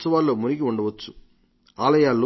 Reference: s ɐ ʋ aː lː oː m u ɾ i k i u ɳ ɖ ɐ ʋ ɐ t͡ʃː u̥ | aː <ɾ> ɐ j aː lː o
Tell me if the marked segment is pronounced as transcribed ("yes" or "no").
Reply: no